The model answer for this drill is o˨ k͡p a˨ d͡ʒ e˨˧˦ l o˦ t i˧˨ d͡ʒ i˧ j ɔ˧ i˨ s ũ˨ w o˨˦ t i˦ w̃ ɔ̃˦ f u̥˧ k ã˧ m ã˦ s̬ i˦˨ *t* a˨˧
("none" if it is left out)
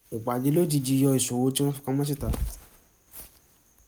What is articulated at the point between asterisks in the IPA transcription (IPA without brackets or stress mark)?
t